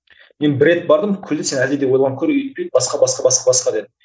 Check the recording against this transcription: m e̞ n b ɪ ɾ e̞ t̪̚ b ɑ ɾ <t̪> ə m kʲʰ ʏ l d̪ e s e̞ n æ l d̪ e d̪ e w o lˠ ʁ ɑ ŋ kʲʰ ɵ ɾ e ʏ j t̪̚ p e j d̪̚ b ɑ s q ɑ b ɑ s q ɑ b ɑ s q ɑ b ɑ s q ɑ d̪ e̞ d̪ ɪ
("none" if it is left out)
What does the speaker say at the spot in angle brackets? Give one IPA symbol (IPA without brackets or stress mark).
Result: d̪